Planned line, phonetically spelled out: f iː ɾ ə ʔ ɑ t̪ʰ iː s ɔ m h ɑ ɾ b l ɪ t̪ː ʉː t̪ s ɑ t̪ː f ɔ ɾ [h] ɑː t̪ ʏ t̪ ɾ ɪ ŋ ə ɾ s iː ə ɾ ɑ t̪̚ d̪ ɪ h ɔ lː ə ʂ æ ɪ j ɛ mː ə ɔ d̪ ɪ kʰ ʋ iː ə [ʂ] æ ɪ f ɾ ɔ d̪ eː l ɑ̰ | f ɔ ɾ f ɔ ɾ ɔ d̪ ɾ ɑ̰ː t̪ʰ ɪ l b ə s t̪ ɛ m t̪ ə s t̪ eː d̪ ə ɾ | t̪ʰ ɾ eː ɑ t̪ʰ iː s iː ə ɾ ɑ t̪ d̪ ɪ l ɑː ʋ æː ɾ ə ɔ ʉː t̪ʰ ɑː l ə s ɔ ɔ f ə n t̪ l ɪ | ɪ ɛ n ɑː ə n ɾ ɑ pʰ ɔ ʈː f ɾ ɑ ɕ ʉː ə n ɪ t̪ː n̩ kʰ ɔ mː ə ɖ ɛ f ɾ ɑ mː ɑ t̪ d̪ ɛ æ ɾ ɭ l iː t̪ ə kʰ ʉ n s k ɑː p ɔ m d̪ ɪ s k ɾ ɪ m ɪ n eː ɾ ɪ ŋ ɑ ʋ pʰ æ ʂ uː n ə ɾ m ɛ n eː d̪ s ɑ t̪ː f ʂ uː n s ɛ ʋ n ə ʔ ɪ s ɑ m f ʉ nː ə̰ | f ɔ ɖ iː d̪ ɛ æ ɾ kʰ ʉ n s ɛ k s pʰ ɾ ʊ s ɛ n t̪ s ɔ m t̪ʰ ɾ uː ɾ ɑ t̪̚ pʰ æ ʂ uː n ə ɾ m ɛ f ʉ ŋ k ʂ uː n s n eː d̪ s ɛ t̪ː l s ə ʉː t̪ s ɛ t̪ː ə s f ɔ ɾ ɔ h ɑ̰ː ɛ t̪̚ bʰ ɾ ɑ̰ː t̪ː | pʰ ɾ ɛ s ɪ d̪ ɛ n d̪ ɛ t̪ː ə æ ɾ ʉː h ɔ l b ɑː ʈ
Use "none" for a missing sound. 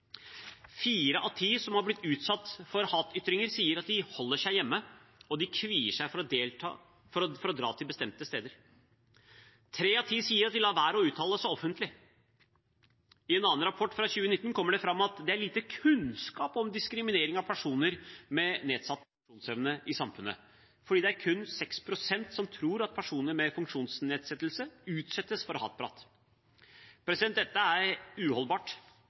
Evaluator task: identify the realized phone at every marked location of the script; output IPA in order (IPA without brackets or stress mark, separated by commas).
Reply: h, ʂ